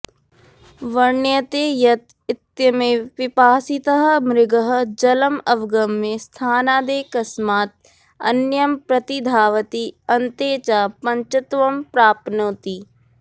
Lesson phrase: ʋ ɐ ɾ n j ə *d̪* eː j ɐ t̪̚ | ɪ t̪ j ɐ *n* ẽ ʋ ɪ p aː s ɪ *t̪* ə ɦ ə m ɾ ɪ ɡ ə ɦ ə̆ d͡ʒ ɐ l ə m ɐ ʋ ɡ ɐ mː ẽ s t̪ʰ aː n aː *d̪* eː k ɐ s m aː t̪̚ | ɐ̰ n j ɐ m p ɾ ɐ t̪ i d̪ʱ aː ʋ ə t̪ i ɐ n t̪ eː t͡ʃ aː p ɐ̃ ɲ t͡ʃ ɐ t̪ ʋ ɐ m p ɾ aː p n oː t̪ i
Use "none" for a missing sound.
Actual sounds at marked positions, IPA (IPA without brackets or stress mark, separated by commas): t̪, m, t̪, d̪